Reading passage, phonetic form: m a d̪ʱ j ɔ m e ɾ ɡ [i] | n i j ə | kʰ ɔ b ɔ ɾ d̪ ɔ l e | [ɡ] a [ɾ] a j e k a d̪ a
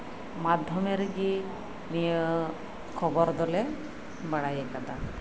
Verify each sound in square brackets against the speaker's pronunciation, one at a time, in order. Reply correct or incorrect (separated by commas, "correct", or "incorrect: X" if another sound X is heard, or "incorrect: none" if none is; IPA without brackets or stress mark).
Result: correct, incorrect: b, incorrect: ɽ